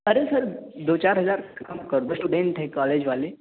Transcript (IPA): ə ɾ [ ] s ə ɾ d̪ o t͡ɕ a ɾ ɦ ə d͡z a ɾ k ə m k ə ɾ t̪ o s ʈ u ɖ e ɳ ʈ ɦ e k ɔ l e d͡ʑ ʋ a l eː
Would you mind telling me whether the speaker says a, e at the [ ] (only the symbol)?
e